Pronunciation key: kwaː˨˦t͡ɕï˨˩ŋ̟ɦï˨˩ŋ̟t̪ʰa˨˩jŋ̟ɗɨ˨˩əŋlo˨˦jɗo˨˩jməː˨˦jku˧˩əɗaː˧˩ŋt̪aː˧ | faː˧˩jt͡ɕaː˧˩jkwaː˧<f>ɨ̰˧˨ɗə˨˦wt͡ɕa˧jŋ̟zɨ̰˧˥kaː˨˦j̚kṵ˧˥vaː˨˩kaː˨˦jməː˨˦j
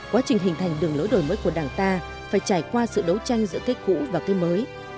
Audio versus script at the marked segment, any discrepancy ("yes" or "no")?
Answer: yes